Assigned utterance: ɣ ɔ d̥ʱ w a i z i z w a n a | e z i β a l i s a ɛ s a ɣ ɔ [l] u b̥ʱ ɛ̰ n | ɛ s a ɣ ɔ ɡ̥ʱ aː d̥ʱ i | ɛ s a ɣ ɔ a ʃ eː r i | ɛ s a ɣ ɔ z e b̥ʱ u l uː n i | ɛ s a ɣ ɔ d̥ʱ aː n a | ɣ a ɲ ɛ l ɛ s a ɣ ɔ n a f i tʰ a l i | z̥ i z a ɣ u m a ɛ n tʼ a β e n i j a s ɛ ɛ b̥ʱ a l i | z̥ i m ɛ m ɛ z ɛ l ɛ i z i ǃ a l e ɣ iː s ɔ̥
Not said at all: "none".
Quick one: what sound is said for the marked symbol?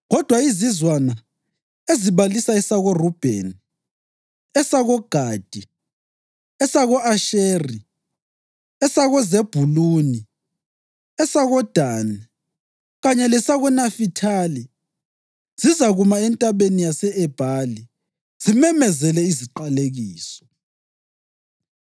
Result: r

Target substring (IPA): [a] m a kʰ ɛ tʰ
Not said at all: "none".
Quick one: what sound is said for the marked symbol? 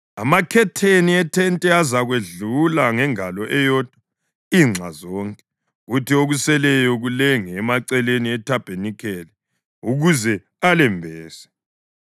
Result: a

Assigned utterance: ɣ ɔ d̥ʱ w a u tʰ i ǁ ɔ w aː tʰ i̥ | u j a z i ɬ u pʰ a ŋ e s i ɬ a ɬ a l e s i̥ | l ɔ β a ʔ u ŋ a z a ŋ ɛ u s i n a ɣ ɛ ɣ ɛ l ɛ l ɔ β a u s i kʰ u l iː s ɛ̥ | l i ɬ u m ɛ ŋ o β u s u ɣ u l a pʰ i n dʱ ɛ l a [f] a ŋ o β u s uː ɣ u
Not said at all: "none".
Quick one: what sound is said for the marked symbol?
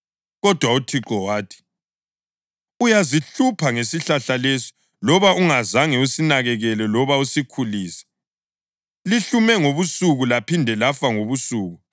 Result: f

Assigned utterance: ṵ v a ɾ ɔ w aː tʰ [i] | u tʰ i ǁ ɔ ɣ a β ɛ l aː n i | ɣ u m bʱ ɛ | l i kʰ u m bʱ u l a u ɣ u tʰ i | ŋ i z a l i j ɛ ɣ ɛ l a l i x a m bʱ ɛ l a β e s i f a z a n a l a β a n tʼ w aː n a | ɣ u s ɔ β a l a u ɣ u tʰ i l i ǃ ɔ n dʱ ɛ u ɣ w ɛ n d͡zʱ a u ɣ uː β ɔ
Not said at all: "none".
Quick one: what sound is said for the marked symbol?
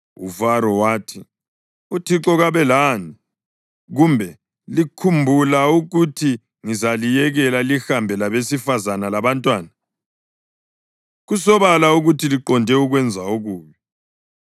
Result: i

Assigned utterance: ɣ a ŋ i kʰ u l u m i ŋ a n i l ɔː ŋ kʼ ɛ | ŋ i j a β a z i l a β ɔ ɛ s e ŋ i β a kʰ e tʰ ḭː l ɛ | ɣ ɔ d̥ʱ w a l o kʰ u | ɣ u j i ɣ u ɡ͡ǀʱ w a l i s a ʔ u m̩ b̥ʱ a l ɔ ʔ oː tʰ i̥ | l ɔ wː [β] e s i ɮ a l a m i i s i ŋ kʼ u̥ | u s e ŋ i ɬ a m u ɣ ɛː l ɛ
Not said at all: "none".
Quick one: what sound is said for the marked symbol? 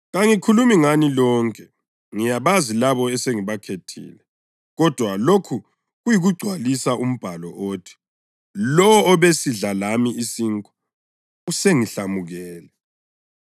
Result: β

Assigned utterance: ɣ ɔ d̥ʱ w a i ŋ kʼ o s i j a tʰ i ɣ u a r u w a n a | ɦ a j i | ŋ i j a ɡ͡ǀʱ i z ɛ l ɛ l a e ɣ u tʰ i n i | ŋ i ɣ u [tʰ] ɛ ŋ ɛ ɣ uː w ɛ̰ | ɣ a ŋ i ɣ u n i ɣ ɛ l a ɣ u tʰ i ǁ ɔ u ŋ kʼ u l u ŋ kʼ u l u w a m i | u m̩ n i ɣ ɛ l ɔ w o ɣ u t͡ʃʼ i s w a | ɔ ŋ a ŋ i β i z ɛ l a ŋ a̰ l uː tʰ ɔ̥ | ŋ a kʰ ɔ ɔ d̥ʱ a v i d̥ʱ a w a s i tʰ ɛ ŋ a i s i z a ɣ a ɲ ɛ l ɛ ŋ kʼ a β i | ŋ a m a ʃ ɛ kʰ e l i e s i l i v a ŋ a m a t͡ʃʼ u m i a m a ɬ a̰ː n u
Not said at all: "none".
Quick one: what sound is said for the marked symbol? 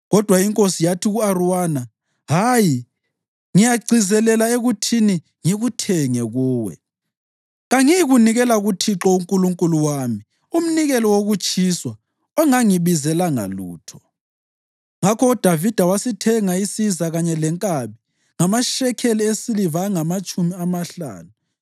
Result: tʰ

